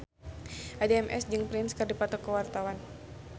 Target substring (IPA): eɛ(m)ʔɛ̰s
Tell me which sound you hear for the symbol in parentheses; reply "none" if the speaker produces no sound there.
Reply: m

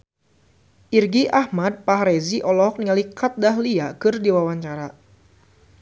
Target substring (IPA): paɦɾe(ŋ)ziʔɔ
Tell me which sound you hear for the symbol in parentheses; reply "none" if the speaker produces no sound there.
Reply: none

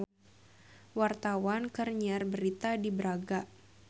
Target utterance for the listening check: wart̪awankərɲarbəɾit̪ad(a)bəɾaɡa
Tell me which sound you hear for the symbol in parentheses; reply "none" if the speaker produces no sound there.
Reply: i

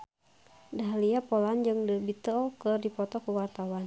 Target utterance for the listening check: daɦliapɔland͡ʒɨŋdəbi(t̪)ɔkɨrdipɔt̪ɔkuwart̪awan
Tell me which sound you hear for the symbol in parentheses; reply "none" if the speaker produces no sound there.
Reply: t̪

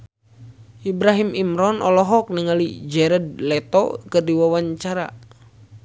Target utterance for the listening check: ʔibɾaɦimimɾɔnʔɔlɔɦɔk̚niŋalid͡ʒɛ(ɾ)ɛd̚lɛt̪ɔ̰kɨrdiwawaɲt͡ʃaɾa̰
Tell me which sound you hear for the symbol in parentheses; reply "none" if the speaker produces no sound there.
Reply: ɾ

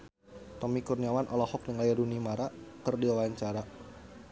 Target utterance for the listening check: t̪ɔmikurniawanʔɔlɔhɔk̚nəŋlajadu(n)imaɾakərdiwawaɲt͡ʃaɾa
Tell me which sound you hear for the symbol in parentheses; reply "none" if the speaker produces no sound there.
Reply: n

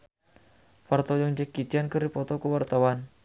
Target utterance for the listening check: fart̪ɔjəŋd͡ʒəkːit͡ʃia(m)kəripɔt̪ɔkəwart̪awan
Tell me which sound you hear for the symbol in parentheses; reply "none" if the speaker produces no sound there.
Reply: n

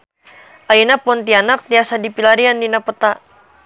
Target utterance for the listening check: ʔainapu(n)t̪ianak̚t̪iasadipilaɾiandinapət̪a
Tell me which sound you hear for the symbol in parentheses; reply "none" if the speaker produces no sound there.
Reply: n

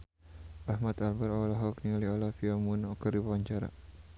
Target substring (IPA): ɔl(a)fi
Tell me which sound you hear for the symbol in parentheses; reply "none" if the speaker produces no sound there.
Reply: a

